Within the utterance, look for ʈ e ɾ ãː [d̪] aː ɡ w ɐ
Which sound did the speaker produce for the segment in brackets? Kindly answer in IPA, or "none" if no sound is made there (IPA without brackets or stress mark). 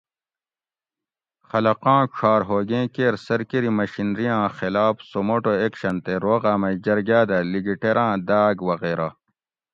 d̪